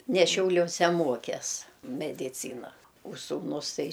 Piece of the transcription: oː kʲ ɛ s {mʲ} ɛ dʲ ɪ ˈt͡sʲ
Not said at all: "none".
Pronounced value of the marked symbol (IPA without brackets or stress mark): mʲ